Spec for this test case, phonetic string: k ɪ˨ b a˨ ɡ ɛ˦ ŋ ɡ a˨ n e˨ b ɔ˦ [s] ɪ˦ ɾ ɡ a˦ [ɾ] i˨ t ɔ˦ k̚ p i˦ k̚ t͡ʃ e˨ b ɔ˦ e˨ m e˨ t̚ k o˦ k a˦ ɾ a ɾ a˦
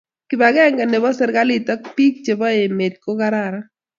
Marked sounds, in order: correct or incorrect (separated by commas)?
correct, incorrect